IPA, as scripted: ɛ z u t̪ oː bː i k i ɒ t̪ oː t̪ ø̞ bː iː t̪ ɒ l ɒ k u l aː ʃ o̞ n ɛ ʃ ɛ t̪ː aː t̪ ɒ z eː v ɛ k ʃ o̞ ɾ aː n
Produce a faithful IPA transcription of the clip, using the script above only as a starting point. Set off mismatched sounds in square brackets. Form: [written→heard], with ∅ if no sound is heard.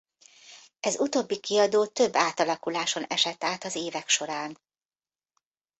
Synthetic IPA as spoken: ɛ z u t̪ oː bː i k i ɒ [t̪→d̪] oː t̪ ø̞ bː [iː→aː] t̪ ɒ l ɒ k u l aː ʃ o̞ n ɛ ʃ ɛ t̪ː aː t̪ ɒ z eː v ɛ k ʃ o̞ ɾ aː n